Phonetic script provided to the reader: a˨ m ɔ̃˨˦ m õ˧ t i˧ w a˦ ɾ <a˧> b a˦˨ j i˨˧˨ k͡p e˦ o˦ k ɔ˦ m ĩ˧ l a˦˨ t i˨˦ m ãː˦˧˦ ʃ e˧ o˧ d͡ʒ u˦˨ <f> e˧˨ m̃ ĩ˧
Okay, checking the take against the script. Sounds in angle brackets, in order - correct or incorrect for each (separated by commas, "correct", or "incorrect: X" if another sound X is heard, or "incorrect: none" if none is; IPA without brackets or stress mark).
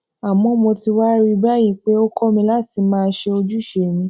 incorrect: i˧, incorrect: ʃ